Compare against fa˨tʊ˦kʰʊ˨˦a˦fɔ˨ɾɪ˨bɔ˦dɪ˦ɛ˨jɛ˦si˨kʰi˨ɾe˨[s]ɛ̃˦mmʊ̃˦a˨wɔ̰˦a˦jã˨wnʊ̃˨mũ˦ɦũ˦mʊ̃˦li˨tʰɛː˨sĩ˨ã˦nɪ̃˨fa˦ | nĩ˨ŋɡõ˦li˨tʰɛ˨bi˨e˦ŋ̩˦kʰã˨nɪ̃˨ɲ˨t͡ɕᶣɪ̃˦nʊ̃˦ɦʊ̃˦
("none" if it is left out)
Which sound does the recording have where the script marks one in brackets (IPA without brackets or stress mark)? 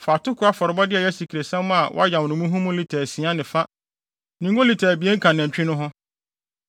s